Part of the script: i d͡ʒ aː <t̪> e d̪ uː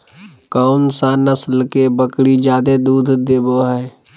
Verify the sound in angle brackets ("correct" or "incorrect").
incorrect